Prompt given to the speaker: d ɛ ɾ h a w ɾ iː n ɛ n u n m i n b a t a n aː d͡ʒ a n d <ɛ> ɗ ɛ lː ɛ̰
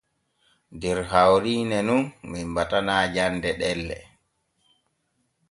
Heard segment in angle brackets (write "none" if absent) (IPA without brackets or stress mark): ɛ